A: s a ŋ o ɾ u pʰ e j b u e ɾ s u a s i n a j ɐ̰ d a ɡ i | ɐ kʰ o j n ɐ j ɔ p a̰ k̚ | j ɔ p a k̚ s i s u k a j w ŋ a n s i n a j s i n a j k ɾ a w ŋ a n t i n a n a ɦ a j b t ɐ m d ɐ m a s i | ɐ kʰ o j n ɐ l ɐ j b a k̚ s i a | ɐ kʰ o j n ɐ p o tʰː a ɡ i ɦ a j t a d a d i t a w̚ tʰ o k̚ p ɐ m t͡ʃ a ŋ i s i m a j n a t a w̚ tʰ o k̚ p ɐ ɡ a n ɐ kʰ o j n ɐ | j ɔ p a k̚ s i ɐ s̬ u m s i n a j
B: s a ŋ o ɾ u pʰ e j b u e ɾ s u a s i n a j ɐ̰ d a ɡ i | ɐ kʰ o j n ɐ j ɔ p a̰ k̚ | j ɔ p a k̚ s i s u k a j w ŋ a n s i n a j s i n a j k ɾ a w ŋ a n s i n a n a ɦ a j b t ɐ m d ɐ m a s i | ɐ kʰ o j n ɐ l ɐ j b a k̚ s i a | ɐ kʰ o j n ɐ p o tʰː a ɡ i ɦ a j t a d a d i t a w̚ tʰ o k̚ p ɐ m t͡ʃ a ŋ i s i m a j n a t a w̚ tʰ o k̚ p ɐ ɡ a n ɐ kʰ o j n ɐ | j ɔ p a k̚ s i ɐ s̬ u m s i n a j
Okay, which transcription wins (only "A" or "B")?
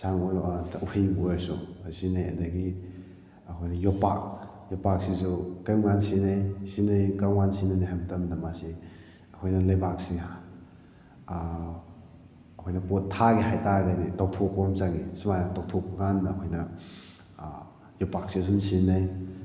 B